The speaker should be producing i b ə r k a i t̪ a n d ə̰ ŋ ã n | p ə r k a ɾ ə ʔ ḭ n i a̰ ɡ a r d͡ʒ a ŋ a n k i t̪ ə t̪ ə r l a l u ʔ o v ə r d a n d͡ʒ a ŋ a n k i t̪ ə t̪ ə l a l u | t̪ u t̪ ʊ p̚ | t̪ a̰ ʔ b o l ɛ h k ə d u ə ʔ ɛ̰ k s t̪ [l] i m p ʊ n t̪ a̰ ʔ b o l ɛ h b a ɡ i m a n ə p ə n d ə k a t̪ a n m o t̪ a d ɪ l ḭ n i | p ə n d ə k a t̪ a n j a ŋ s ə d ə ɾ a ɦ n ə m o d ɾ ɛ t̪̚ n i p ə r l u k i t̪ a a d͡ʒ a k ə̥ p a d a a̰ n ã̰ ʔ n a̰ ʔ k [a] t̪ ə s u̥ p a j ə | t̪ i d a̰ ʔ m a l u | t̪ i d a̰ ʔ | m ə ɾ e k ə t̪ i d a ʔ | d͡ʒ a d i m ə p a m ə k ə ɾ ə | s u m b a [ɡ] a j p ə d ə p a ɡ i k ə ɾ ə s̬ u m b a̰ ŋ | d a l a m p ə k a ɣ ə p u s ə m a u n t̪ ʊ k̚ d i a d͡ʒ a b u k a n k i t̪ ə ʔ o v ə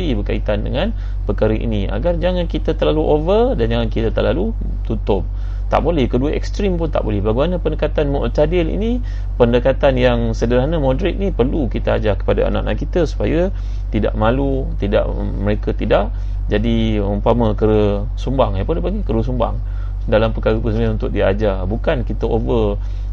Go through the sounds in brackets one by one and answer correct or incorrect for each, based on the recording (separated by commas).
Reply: incorrect, incorrect, incorrect